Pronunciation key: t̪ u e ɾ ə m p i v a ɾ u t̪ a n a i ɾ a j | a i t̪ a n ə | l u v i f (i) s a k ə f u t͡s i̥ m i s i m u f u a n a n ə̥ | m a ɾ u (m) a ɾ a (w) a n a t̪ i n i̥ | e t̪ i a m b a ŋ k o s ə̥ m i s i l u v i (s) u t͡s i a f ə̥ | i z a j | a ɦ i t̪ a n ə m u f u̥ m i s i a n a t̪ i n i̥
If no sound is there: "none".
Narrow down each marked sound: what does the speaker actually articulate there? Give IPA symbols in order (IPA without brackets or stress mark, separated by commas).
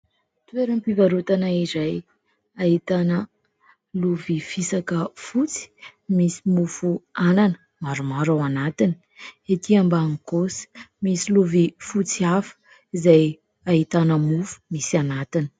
i, m, w, f